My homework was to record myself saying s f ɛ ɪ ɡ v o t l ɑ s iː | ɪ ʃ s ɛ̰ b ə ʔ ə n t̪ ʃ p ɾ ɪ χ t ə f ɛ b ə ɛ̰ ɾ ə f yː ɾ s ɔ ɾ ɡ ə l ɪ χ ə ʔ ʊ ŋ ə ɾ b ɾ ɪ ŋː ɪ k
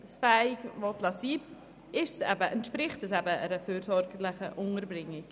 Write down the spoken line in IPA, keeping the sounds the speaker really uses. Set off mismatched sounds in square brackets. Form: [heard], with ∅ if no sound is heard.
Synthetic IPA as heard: s f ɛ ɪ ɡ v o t l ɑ s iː | ɪ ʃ s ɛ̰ b ə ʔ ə n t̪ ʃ p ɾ ɪ χ t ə [s] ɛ b ə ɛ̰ ɾ ə f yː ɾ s ɔ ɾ ɡ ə l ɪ χ ə ʔ ʊ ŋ ə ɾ b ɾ ɪ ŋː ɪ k